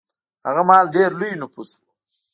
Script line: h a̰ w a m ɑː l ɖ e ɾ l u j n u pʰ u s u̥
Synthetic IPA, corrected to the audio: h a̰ ɣ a m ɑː l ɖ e ɾ l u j n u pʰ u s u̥